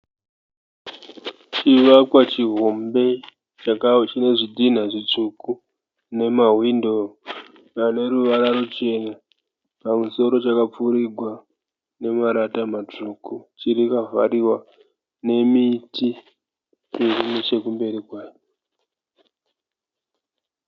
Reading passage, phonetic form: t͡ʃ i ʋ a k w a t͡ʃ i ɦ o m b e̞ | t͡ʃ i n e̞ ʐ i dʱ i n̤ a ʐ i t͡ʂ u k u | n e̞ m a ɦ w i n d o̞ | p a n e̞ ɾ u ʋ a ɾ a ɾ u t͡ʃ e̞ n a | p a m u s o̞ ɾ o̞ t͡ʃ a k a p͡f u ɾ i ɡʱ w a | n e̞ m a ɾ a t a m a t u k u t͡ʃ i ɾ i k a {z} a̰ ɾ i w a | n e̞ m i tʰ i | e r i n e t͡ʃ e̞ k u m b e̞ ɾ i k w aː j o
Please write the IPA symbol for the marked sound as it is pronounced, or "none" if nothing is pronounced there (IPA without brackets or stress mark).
v